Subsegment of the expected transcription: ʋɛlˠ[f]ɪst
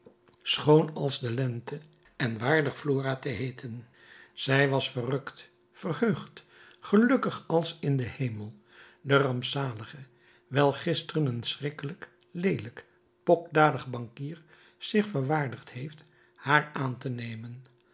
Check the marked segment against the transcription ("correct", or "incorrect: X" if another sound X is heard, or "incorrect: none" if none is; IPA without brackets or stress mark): incorrect: χ